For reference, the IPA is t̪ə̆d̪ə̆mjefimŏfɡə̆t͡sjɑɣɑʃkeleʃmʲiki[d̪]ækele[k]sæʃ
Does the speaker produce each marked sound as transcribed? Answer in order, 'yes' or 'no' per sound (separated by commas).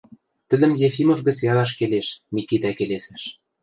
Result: no, no